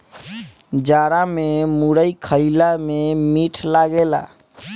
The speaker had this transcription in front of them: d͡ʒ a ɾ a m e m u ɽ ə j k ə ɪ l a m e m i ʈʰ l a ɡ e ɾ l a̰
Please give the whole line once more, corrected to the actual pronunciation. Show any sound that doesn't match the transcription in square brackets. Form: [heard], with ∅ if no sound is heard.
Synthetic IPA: d͡ʒ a ɾ a m e m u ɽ ə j [kʰ] ə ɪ l a m e m i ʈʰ l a ɡ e [∅] l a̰